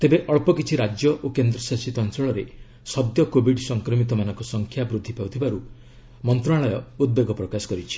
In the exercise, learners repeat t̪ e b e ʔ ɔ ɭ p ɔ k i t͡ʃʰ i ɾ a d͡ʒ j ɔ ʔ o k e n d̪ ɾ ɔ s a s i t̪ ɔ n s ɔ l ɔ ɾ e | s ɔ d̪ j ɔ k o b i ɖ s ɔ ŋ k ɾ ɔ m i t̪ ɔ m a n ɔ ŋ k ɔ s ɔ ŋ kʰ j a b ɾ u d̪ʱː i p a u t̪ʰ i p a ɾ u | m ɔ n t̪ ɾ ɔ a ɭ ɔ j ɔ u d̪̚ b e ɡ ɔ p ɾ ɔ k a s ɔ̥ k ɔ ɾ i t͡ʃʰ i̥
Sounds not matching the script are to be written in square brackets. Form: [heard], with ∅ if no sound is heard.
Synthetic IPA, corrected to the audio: t̪ e b e ʔ ɔ ɭ p ɔ k i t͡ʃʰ i ɾ a d͡ʒ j ɔ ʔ o k e n d̪ ɾ ɔ s a s i t̪ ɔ n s ɔ [ɭ] ɔ ɾ e | s ɔ d̪ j ɔ k o b i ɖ s ɔ ŋ k ɾ ɔ m i t̪ ɔ m a n ɔ ŋ k ɔ s ɔ ŋ kʰ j a b ɾ u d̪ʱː i p a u t̪ʰ i [b] a ɾ u | m ɔ n t̪ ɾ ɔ a ɭ ɔ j ɔ u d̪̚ b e ɡ ɔ p ɾ ɔ k a s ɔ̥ k ɔ ɾ i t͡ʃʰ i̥

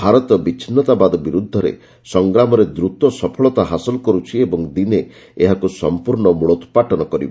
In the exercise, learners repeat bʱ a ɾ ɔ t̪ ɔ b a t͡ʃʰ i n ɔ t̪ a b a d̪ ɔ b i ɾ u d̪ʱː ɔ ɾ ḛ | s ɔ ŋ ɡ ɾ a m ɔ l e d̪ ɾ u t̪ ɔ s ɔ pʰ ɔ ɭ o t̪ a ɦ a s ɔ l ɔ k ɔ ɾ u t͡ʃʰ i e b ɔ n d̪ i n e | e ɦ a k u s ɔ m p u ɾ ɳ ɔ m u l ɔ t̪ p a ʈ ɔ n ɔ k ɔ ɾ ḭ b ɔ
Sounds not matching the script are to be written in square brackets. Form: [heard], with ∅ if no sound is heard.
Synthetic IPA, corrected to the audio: bʱ a ɾ ɔ t̪ ɔ b [i] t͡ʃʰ i n ɔ t̪ a b a d̪ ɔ b i ɾ u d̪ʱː ɔ ɾ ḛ | s ɔ ŋ ɡ ɾ a m ɔ [ɾ] e d̪ ɾ u t̪ ɔ s ɔ pʰ ɔ ɭ [ɔ] t̪ a ɦ a s ɔ l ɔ k ɔ ɾ u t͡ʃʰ i e b ɔ [ŋ] d̪ i n e | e ɦ a k u s ɔ m p u ɾ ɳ ɔ m u [ɭ] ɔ t̪ p a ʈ ɔ n ɔ k ɔ ɾ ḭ b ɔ

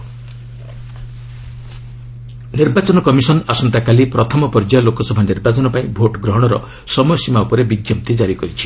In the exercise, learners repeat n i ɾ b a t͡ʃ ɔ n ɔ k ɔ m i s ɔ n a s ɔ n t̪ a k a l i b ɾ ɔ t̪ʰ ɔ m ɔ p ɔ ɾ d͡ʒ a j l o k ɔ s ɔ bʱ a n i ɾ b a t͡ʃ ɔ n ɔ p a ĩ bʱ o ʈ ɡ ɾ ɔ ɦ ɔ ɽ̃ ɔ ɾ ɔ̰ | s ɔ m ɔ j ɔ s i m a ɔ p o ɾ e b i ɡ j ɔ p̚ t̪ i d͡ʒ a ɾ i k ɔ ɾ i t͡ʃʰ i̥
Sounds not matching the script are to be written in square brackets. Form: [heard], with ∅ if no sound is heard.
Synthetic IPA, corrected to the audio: n i ɾ b a t͡ʃ ɔ n ɔ k ɔ m i s ɔ n a s ɔ n t̪ a k a l i [p] ɾ ɔ t̪ʰ ɔ m ɔ p ɔ ɾ d͡ʒ a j l o k ɔ s ɔ bʱ a n i ɾ b a t͡ʃ ɔ n ɔ p a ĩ bʱ o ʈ ɡ ɾ ɔ ɦ ɔ ɽ̃ ɔ ɾ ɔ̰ | s ɔ m ɔ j ɔ s i m a [u] p [ɔ] ɾ e b i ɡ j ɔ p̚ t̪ i d͡ʒ a ɾ i k ɔ ɾ i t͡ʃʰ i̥

